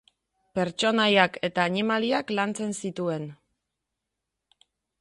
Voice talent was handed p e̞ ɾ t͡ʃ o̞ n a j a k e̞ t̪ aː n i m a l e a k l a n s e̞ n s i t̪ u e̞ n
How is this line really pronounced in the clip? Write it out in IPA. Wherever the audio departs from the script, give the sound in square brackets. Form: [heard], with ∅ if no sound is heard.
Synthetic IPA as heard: p e̞ ɾ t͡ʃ o̞ n a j a k e̞ t̪ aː n i m a l [i] a k l a n [t͡s] e̞ n s i t̪ u e̞ n